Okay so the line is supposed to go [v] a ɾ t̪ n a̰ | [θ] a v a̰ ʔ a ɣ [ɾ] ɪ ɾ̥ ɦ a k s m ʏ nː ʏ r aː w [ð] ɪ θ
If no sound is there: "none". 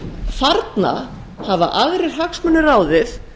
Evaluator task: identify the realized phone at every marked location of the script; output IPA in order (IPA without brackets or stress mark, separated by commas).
f, h, ɾ, ð